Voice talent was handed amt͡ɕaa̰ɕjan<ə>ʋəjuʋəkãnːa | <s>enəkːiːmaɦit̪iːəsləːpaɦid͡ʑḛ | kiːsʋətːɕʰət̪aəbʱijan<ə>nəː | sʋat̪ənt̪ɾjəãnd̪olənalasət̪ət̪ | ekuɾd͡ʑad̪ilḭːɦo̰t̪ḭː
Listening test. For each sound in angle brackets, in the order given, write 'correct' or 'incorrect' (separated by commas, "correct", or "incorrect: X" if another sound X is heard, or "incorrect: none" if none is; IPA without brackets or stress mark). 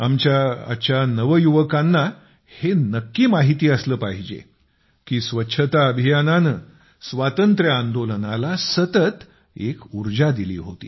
correct, incorrect: h, incorrect: a